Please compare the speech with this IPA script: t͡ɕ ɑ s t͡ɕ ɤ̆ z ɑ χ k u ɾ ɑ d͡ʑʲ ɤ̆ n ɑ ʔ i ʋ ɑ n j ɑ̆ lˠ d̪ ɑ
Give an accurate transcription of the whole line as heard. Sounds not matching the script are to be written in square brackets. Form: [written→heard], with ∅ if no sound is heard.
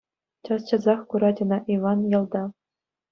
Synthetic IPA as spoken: t͡ɕ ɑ s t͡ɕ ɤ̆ z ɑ χ k u ɾ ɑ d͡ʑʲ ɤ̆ n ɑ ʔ i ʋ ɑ n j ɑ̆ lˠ d̪ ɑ